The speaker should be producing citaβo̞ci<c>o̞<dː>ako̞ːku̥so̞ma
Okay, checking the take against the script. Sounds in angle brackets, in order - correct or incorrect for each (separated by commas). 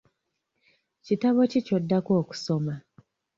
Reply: correct, correct